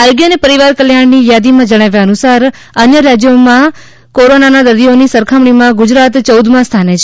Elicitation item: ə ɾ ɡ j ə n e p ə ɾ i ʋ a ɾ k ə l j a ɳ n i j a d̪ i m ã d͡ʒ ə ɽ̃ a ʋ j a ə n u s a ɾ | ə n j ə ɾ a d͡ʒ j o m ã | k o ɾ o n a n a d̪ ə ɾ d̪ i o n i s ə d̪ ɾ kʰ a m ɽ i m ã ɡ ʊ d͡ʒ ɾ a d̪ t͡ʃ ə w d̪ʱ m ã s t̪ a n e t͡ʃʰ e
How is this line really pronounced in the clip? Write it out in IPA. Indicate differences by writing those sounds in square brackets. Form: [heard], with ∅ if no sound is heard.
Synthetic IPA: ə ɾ ɡ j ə n e p ə ɾ i ʋ a ɾ k ə l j a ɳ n i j a d̪ i m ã d͡ʒ ə ɽ̃ a ʋ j a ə n u s a ɾ | ə n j ə ɾ a d͡ʒ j o m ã | k o ɾ o n a n a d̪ ə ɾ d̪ i o n i s ə [∅] ɾ kʰ a m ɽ i m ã ɡ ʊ d͡ʒ ɾ a [t̪] t͡ʃ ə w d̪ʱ m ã s [t̪ʰ] a n e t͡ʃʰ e